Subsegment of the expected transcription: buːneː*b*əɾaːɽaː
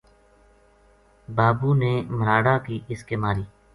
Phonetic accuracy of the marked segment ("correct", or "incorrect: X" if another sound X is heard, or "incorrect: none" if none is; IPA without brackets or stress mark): incorrect: m